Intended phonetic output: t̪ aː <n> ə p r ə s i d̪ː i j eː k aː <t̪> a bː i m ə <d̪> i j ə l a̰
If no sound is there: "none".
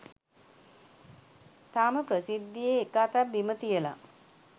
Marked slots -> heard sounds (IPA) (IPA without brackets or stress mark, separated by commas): m, t̪, t̪